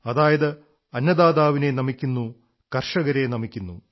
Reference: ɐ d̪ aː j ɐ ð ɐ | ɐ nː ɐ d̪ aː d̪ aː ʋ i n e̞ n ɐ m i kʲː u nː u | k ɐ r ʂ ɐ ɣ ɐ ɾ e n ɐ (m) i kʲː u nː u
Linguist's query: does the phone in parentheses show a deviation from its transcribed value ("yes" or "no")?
no